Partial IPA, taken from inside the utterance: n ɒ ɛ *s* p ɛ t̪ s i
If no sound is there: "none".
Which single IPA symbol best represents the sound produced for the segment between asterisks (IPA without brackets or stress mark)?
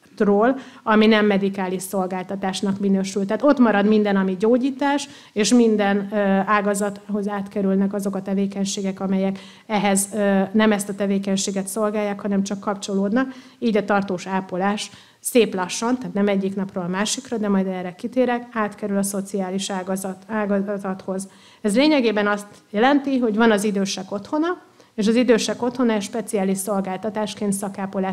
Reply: ʃ